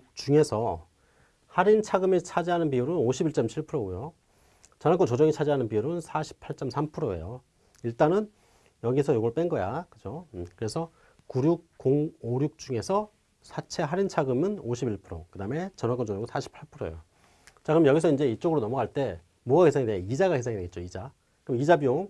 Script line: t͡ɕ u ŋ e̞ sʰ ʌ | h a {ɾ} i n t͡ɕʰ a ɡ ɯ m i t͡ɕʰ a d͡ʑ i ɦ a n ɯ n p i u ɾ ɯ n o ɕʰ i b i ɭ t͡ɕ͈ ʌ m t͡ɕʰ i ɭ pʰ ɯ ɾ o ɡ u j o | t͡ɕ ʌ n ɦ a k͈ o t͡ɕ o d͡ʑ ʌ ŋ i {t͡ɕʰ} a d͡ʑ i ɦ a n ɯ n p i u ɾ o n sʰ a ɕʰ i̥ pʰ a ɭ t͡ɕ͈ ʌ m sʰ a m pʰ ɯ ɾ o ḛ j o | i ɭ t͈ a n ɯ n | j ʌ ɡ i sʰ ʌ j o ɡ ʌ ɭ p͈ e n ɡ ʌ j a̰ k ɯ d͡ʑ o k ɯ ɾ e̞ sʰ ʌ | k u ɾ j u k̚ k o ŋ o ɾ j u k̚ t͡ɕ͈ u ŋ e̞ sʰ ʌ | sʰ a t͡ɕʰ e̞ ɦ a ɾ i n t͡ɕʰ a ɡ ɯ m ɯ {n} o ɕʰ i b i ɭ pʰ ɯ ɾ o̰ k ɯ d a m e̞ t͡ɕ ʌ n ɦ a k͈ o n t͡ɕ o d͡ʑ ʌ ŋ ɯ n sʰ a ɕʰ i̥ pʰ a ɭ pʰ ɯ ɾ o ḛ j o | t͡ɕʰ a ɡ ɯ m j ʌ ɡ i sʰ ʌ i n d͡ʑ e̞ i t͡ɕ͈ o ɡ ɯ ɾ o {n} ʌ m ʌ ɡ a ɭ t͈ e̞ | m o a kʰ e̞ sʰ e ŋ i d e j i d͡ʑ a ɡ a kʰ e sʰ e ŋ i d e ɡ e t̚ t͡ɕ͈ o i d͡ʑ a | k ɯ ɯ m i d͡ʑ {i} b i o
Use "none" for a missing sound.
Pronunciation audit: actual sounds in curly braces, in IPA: ɾ, t͡ɕʰ, n, n, a

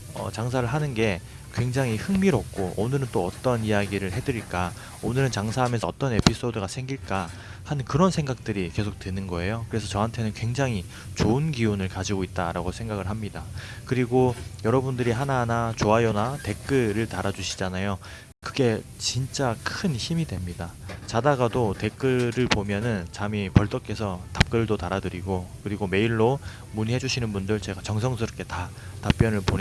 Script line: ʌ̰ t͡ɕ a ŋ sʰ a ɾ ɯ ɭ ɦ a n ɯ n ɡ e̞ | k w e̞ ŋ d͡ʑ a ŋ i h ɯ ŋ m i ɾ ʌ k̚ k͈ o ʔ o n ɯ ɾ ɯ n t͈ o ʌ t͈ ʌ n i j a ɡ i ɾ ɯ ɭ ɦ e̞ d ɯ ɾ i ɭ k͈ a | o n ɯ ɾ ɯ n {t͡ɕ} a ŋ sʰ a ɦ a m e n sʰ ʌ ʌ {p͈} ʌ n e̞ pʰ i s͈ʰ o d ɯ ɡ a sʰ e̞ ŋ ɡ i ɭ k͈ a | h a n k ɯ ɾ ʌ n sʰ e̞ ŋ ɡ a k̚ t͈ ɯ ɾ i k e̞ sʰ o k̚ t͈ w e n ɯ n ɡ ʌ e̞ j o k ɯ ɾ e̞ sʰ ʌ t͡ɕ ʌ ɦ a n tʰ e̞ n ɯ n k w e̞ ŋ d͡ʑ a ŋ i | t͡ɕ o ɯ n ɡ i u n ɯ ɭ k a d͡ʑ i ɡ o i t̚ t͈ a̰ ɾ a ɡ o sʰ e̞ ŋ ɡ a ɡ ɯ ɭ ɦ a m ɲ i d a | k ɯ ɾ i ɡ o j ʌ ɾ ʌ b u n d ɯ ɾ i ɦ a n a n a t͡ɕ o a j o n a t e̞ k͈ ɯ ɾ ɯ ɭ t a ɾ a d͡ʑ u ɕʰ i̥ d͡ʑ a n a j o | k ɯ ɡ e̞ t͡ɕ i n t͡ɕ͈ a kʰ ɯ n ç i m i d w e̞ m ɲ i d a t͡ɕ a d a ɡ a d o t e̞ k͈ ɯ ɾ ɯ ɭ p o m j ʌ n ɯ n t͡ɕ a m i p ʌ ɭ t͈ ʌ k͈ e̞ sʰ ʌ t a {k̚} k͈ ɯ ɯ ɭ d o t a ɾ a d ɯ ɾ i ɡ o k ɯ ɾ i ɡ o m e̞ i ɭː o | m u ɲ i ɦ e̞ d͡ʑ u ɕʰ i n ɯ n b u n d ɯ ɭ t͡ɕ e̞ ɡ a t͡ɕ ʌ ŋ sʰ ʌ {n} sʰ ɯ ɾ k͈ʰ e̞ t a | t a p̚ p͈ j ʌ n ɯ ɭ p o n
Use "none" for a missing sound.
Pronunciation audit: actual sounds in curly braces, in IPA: t͡ɕ, t͈, p̚, ŋ

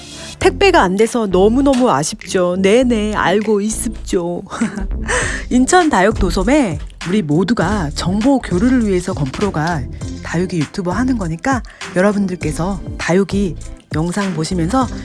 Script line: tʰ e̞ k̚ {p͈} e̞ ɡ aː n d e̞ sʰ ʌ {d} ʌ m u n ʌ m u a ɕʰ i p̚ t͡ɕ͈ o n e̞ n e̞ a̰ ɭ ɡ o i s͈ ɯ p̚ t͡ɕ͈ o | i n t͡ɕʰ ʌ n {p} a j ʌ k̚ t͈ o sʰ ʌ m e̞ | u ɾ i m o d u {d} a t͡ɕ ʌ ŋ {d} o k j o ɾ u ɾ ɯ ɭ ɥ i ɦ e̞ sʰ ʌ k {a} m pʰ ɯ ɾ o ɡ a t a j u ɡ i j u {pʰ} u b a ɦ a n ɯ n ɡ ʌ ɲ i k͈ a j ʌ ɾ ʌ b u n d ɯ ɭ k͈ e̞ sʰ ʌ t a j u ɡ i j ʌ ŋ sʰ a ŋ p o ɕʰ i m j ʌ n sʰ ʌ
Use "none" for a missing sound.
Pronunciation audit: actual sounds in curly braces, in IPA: p͈, n, t, ɡ, b, ʌ, tʰ

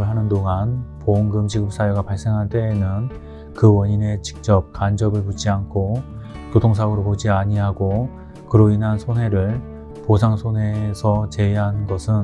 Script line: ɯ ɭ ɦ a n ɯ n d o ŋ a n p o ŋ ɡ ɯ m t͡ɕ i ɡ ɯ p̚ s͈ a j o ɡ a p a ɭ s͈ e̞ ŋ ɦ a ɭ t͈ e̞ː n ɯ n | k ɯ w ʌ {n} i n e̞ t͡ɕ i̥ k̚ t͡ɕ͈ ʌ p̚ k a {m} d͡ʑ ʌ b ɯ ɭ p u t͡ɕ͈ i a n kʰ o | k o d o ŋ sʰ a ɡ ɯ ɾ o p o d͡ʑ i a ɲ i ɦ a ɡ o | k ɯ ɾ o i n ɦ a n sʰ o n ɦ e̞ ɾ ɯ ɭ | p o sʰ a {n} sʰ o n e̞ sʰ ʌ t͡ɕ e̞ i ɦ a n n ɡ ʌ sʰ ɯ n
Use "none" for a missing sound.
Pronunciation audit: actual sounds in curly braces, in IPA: ɲ, n, ŋ

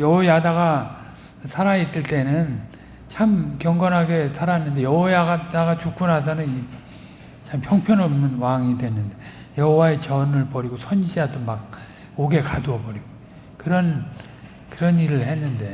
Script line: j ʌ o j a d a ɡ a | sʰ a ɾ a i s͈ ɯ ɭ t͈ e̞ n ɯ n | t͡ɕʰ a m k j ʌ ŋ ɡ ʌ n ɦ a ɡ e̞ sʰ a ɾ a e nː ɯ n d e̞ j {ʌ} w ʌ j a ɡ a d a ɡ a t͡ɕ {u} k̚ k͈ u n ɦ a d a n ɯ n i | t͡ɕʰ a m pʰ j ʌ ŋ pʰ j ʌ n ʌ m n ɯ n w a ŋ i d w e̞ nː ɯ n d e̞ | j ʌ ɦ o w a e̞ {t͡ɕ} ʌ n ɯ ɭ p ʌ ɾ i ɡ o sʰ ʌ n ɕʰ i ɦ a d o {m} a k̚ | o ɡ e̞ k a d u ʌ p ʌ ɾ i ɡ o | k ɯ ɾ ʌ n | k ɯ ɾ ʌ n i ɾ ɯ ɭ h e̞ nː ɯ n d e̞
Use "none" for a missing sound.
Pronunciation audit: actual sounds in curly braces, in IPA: ʌ, u, t͡ɕ, m

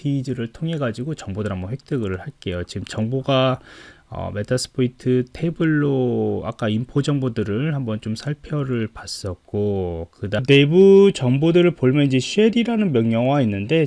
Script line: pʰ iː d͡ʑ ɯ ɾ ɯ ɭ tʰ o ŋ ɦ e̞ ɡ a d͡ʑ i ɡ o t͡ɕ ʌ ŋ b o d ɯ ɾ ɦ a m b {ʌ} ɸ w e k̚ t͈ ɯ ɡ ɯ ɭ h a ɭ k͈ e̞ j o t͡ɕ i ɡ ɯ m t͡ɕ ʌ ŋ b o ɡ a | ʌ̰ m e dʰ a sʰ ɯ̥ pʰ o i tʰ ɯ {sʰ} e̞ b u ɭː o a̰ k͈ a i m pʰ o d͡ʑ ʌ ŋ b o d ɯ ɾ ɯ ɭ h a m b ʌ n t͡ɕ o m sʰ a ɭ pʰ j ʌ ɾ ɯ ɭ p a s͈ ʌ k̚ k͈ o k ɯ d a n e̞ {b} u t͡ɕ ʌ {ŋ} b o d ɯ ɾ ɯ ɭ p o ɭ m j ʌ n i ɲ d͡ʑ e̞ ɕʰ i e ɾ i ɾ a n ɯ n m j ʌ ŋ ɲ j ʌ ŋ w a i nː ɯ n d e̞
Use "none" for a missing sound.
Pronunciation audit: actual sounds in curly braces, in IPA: ʌ, tʰ, b, ŋ

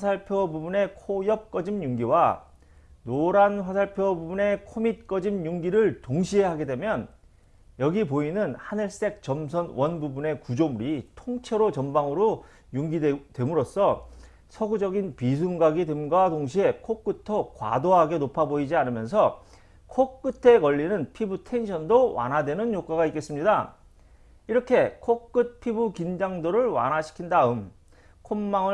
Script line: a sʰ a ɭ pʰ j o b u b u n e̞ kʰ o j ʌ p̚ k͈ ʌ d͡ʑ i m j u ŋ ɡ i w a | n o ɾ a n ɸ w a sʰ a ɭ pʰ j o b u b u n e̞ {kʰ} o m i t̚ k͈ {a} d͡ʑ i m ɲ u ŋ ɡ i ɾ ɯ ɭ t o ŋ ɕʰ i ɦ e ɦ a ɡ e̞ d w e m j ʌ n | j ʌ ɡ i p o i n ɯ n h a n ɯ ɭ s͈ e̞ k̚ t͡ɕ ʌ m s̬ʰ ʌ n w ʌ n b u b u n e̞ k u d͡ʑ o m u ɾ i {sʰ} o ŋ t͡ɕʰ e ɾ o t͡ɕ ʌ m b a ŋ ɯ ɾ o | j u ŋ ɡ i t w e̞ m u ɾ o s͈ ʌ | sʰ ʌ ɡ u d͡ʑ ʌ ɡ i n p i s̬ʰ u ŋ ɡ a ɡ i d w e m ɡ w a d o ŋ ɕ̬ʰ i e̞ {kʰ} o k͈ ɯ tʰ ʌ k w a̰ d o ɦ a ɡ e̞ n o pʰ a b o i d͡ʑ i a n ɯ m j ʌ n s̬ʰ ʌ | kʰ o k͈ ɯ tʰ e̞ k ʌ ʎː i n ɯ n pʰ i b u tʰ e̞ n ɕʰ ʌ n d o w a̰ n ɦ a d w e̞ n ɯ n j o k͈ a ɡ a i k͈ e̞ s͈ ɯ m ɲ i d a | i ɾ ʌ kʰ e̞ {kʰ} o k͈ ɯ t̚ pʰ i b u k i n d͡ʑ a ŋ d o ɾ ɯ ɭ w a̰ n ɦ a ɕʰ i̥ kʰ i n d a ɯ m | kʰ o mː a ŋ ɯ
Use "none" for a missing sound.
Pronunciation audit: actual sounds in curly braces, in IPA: kʰ, ʌ, tʰ, kʰ, kʰ

